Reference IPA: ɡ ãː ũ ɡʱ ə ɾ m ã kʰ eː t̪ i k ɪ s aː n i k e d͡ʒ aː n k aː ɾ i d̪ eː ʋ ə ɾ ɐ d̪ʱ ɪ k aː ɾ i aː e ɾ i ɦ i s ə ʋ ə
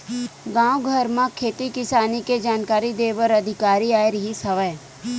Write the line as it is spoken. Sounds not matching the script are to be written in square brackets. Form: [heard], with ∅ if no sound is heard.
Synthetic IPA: ɡ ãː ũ ɡʱ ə ɾ m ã kʰ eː t̪ i k ɪ s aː n i k e d͡ʒ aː n k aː ɾ i d̪ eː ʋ ə ɾ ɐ d̪ʱ ɪ k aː ɾ i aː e ɾ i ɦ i s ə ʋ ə